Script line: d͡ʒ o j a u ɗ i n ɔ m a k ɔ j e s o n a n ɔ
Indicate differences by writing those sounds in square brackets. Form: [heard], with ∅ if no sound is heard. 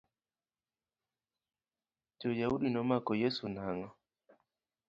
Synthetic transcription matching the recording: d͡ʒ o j a u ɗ i n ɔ m a k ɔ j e s [u] n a [ŋ] ɔ